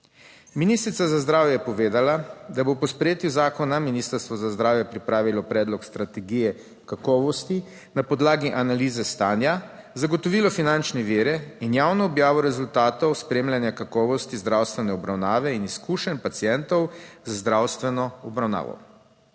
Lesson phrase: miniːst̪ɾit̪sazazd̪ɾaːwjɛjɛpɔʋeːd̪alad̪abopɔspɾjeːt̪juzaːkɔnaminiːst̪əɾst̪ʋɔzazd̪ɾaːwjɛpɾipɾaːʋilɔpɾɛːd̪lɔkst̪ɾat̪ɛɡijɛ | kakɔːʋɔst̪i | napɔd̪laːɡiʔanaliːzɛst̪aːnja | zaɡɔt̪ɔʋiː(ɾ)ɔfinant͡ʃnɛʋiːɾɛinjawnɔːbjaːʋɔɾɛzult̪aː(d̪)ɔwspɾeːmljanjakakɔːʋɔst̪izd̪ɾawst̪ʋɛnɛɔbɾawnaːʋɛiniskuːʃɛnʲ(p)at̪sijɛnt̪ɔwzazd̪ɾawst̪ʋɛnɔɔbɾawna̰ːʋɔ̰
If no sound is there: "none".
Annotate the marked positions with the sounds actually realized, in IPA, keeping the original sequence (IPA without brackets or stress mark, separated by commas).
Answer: l, t̪, p